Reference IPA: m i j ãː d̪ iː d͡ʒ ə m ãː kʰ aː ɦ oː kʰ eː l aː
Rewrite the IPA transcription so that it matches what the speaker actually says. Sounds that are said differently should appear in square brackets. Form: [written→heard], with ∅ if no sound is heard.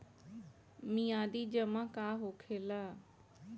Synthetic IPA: m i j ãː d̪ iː d͡ʒ ə m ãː [kʰ→k] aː ɦ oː kʰ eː l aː